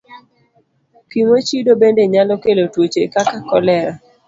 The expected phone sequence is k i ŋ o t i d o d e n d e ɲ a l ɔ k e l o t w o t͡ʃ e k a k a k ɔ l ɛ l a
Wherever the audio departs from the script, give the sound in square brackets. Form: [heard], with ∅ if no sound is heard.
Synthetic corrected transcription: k i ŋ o [t͡ʃ] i d o [b] e n d e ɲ a l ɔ k e l o t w o t͡ʃ e k a k a k ɔ l ɛ [ɾ] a